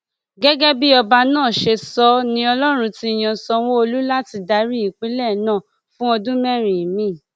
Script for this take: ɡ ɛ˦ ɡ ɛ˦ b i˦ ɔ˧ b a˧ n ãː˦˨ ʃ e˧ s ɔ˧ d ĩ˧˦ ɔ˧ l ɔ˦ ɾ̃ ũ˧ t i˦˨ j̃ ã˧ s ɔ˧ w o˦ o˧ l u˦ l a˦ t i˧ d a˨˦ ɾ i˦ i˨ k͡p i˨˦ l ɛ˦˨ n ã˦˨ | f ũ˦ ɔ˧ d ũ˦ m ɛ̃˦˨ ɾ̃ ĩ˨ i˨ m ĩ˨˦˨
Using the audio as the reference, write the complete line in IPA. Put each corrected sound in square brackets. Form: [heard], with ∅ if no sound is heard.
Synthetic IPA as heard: ɡ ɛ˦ ɡ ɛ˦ b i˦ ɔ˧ b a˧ n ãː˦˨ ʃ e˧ s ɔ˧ [n] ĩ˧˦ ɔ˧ l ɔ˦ ɾ̃ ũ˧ t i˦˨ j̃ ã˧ s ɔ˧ w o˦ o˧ l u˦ l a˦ t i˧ d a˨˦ ɾ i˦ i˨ k͡p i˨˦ l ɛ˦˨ n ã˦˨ | f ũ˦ ɔ˧ d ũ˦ m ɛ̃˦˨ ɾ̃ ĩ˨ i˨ m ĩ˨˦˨